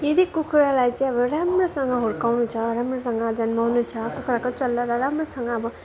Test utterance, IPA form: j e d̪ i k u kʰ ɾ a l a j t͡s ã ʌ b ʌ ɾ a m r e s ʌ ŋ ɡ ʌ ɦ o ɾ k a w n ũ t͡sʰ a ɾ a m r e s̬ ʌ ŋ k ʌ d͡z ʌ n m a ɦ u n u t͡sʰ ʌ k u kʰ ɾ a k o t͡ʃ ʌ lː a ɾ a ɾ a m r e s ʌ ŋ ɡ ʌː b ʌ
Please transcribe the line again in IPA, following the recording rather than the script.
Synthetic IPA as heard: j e d̪ i k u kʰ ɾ a l a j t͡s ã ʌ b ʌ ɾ a m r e s ʌ ŋ ɡ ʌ ɦ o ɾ k a w n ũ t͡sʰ ʌ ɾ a m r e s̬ ʌ ŋ ɡ ʌ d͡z ʌ n m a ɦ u n u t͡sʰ ʌ k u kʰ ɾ a k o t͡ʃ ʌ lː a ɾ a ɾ a m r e s ʌ ŋ ɡ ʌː b ʌ